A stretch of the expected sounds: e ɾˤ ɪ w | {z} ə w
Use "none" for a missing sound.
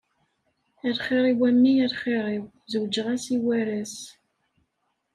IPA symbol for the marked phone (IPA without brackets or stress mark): z